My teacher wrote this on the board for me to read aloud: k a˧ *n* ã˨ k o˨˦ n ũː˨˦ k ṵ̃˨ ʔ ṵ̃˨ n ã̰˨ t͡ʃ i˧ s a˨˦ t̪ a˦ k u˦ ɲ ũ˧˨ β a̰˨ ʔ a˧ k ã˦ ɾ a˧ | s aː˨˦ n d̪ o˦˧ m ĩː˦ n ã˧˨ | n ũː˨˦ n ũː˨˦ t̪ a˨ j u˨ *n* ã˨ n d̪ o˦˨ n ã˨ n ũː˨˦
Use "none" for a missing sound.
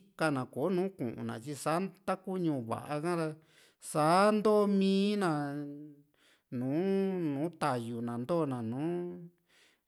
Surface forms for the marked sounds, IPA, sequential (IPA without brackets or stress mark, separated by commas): n, n